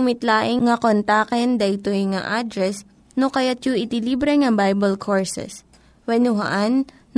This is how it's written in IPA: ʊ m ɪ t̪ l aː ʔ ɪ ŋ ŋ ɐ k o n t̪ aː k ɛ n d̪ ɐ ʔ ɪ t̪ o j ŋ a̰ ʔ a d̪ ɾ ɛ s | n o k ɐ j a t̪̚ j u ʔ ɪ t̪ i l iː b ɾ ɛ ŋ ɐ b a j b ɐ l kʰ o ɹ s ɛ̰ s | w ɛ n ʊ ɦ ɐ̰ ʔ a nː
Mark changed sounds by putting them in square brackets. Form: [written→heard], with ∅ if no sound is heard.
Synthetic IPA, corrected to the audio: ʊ m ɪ t̪ l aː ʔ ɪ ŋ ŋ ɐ k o n t̪ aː k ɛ n d̪ ɐ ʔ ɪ t̪ o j ŋ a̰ ʔ a d̪ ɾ ɛ s | n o k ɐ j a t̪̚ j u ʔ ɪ t̪ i l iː b ɾ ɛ ŋ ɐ b a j b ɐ l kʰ o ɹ s ɛ̰ s | w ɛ n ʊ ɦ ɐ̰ ʔ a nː